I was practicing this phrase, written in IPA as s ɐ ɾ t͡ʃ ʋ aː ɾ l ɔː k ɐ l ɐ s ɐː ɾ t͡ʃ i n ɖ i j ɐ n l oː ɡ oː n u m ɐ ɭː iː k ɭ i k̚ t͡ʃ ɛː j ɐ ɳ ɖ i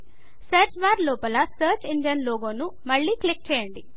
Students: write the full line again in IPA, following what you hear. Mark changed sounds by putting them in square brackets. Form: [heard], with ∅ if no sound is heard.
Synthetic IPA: s ɐ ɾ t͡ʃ ʋ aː ɾ l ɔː [p] ɐ l ɐ s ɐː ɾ t͡ʃ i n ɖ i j ɐ n l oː ɡ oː n u m ɐ ɭː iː k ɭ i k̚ t͡ʃ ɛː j ɐ ɳ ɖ i